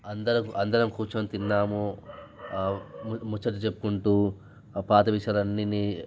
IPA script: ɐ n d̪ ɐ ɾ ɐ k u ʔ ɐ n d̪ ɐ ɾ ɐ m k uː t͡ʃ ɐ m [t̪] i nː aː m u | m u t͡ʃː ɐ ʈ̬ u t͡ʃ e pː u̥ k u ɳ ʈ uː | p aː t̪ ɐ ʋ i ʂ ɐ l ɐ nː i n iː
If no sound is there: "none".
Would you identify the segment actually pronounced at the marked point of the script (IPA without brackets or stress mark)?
t̪